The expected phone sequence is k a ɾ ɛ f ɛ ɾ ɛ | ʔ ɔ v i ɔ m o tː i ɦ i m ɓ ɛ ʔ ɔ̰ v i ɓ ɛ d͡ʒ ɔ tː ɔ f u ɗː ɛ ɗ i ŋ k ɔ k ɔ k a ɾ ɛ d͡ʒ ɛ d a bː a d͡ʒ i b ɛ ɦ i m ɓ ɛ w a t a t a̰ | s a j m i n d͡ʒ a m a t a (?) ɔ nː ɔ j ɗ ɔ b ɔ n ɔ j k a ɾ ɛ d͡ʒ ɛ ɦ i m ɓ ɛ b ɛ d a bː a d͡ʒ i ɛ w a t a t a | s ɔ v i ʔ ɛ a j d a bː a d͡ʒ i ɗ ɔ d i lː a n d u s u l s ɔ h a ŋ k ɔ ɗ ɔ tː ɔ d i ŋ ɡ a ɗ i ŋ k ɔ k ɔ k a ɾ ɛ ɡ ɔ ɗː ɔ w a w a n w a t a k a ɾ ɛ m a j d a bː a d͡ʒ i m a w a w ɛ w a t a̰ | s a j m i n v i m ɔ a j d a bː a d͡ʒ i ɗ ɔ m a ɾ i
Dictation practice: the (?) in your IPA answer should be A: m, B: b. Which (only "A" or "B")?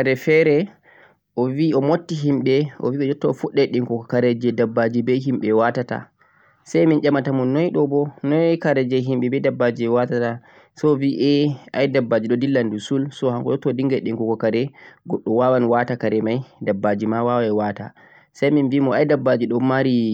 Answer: A